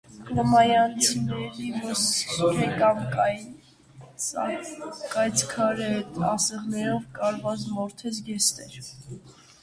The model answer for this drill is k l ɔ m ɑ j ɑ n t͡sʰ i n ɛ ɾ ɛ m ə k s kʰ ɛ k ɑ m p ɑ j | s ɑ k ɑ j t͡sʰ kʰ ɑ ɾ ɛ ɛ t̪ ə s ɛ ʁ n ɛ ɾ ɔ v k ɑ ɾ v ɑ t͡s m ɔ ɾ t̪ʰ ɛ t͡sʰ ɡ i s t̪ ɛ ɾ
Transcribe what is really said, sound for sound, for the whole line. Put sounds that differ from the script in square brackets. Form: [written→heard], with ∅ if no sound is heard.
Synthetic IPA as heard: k l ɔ m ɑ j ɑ n t͡sʰ i n ɛ ɾ [ɛ→i] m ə [k→∅] s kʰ ɛ k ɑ m [p→k] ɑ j | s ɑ k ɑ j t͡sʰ kʰ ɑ ɾ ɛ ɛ t̪ [ə→ɑ] s ɛ ʁ n ɛ ɾ ɔ v k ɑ ɾ v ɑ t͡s m ɔ ɾ t̪ʰ ɛ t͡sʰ ɡ [i→ɛ] s t̪ ɛ ɾ